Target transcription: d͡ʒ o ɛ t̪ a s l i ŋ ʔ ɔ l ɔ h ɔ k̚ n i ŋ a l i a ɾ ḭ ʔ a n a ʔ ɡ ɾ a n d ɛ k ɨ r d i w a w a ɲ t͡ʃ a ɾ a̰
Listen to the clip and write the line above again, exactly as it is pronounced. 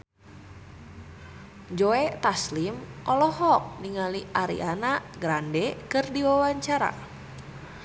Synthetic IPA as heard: d͡ʒ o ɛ t̪ a s l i m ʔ ɔ l ɔ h ɔ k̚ n i ŋ a l i a ɾ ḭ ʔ a n a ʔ ɡ ɾ a n d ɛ k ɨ r d i w a w a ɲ t͡ʃ a ɾ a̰